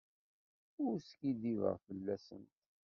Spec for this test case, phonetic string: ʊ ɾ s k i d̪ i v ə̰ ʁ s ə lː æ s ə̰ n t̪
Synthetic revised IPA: ʊ ɾ s k i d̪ i v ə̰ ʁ f ə lː æ s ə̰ n t̪